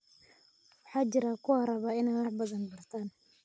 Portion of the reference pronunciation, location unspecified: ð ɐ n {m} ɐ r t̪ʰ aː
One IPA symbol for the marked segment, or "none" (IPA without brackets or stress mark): b